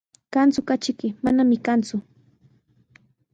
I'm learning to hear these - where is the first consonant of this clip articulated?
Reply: velum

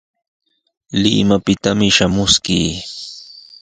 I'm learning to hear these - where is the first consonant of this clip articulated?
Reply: tongue tip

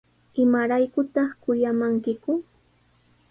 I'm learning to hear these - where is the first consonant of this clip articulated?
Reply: lips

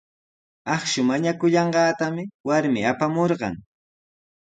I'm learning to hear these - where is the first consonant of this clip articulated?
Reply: uvula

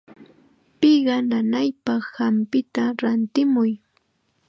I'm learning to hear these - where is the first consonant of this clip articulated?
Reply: lips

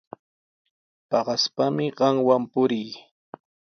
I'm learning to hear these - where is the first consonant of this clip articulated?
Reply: lips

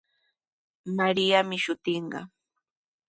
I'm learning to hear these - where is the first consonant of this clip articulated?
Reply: lips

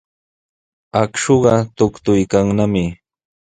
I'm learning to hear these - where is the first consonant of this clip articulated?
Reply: velum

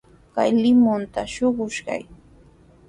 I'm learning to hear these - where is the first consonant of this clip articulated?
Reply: velum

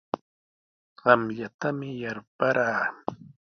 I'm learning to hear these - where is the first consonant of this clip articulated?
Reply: uvula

